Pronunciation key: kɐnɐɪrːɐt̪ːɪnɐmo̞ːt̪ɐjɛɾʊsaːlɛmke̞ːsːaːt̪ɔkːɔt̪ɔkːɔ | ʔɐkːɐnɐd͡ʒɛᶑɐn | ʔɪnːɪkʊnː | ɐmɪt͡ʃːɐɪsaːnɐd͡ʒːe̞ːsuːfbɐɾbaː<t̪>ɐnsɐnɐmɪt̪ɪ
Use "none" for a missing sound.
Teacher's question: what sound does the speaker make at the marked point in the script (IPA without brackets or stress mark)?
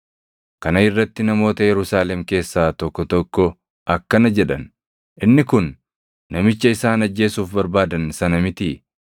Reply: d̪